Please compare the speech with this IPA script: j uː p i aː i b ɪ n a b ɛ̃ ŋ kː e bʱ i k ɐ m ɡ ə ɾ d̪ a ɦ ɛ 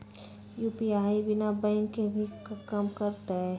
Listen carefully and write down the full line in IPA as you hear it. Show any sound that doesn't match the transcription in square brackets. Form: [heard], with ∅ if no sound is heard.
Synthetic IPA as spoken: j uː p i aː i b ɪ n a b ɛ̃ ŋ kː e bʱ i k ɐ m [k] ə ɾ [t̪] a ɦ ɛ